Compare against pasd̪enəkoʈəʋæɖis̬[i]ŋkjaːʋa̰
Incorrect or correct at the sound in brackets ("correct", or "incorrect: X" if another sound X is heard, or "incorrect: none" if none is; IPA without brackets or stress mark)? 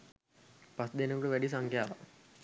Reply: incorrect: a